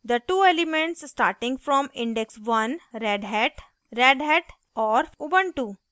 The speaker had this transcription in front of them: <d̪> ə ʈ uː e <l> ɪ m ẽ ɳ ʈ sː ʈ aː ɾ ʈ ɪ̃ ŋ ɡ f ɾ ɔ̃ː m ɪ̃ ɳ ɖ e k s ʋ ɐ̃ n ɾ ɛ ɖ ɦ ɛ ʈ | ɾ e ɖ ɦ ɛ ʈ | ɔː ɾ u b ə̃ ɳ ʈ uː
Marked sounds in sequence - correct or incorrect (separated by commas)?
correct, correct